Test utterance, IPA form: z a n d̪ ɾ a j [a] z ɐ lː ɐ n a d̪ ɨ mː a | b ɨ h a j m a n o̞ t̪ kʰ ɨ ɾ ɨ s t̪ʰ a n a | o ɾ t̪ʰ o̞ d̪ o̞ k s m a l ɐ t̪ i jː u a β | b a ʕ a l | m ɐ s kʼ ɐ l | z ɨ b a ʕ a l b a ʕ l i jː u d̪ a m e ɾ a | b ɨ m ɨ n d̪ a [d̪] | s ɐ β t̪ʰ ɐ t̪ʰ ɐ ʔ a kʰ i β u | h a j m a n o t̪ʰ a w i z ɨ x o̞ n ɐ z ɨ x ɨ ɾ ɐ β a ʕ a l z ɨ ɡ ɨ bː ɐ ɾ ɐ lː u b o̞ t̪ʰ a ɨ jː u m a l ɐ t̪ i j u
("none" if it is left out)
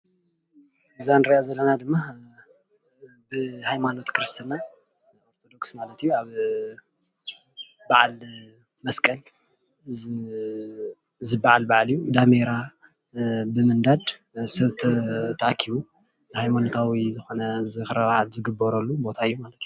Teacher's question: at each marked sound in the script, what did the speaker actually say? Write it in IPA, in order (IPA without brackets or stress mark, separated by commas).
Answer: a, d̪